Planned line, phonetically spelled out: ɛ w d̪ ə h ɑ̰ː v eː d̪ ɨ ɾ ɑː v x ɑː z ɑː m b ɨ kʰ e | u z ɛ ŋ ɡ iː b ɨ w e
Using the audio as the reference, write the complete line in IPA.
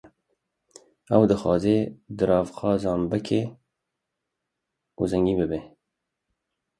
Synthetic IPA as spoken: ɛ w d̪ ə x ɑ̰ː z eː d̪ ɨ ɾ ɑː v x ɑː z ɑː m b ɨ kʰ e | u z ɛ ŋ ɡ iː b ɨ b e